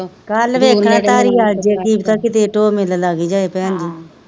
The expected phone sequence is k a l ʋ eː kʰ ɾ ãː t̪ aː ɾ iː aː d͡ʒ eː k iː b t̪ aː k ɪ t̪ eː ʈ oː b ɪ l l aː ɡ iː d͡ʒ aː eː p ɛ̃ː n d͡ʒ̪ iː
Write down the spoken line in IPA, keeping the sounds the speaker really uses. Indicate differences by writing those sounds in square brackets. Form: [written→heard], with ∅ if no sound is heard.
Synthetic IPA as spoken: k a l ʋ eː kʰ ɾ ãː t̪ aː ɾ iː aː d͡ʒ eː k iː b t̪ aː k ɪ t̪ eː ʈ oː [b→m] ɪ l l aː ɡ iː d͡ʒ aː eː p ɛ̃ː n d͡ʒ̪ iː